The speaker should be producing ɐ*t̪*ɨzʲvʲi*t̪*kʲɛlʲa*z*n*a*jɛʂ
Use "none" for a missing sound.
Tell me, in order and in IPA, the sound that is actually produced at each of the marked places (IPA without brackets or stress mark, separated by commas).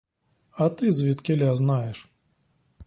t̪, t̪, z, a